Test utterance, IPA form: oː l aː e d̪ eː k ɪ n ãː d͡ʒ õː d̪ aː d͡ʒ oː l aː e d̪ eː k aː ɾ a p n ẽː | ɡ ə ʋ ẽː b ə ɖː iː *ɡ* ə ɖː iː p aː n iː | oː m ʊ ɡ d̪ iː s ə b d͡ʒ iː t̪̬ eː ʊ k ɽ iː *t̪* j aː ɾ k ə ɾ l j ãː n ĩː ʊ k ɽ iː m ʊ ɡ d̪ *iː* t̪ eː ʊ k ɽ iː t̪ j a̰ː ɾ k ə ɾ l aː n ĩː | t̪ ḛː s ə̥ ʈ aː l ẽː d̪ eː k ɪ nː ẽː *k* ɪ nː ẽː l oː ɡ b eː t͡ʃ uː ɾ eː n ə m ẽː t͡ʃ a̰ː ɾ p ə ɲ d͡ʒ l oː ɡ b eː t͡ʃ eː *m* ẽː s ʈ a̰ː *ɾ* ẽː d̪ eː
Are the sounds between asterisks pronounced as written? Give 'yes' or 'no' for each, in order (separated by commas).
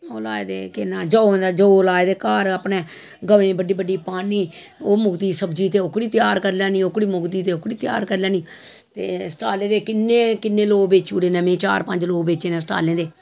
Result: no, yes, yes, yes, no, no